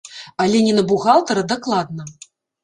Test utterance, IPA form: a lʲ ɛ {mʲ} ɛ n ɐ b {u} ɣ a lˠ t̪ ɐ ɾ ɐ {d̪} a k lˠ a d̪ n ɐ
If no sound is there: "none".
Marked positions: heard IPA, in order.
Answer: nʲ, u, d̪

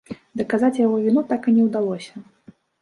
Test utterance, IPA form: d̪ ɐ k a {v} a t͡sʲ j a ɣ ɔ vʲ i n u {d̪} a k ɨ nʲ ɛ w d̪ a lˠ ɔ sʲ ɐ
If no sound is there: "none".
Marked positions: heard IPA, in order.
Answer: z, t̪

